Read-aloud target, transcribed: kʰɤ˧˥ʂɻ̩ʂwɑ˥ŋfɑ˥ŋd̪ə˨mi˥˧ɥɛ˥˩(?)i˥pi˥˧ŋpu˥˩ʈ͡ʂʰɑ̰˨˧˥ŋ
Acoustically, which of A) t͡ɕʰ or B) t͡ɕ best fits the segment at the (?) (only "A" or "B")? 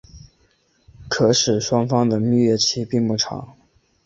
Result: A